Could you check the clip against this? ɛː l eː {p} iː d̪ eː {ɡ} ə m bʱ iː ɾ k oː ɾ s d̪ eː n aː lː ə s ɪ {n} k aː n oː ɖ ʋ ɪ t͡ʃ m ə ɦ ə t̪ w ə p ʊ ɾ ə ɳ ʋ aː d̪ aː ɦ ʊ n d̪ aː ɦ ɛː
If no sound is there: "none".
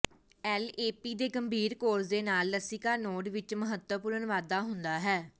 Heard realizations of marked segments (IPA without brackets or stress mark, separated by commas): p, ɡ, none